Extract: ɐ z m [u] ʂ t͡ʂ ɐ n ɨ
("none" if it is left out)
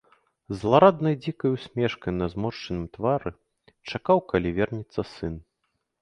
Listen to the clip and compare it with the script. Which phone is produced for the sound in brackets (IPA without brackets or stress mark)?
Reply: ɔ